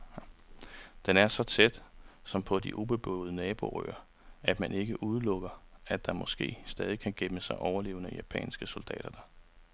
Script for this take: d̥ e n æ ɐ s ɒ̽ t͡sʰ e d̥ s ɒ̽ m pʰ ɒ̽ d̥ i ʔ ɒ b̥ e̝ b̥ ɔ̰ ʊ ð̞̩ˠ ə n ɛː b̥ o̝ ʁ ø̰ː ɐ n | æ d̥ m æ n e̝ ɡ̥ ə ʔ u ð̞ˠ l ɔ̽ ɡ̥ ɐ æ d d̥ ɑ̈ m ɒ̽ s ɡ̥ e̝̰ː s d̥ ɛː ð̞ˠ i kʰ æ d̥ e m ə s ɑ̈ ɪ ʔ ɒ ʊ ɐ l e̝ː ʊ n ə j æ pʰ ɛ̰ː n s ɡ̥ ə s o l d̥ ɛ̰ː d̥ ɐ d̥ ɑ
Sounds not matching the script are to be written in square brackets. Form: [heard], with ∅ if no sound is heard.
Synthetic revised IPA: d̥ e n æ ɐ s ɒ̽ t͡sʰ e d̥ s ɒ̽ m pʰ ɒ̽ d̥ i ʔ [u] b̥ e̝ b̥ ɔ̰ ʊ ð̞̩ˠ ə n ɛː b̥ o̝ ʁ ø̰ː ɐ [∅] | æ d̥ m æ n e̝ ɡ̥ ə ʔ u ð̞ˠ l ɔ̽ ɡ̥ ɐ æ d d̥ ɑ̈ m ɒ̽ s ɡ̥ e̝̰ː s d̥ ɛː ð̞ˠ i kʰ æ [ɡ̥] e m ə s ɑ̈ ɪ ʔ ɒ ʊ ɐ l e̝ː ʊ n ə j æ pʰ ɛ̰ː n s ɡ̥ ə s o l d̥ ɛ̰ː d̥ ɐ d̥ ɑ